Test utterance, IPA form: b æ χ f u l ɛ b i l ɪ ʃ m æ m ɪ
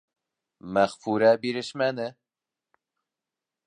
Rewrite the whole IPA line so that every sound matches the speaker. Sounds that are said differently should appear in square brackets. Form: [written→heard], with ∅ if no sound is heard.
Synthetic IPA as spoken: [b→m] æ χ f u [l→ɾ] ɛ b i [l→ɾ] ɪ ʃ m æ [m→n] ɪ